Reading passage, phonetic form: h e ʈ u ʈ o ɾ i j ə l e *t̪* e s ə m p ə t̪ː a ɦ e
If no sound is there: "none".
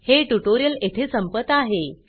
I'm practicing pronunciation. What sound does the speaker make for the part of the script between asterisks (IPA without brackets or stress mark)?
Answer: t̪ʰ